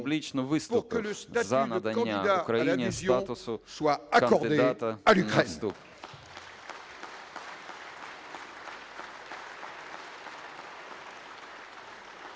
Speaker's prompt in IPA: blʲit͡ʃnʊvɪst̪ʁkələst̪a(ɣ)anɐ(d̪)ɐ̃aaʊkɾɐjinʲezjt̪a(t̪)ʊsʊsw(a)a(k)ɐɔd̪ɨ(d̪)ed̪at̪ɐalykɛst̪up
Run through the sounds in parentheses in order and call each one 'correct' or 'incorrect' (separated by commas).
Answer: incorrect, correct, correct, correct, correct, correct